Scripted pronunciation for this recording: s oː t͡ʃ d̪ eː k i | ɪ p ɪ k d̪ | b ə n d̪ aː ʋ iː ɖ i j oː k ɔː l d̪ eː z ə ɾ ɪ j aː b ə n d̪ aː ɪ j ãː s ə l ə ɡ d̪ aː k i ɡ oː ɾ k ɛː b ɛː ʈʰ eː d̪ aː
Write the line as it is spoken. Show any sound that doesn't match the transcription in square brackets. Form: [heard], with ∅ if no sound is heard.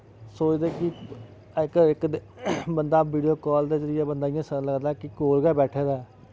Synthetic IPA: s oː t͡ʃ d̪ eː k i | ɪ [k] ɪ k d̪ | b ə n d̪ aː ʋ iː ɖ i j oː k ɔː l d̪ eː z ə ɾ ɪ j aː b ə n d̪ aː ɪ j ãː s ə l ə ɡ d̪ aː k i [k] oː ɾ [ɡ] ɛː b ɛː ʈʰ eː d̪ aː